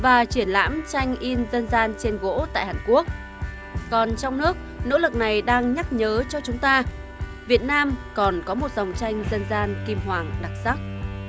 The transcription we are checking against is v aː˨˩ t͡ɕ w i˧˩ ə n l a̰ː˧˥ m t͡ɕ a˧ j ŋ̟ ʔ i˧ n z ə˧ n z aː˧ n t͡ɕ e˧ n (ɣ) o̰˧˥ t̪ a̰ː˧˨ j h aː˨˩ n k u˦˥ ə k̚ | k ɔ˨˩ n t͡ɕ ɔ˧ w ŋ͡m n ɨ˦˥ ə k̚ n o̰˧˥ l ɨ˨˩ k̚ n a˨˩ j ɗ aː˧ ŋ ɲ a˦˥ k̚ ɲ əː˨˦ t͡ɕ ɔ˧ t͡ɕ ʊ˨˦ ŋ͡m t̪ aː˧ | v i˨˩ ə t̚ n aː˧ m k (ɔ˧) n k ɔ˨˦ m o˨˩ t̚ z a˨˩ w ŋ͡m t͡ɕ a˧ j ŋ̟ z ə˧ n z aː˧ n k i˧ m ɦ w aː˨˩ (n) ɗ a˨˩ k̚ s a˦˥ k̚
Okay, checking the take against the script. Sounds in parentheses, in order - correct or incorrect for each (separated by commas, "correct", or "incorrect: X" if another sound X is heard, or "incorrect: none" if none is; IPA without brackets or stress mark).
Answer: correct, incorrect: ɔ˨˩, incorrect: ŋ